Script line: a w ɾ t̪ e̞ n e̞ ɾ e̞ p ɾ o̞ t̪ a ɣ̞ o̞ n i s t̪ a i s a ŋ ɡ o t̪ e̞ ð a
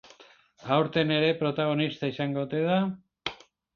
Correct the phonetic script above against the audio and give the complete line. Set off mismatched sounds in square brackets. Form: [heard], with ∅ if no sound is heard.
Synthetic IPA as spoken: a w ɾ t̪ e̞ n e̞ ɾ e̞ p ɾ o̞ t̪ a ɣ̞ o̞ n i s t̪ a i s a ŋ ɡ o t̪ e̞ ð a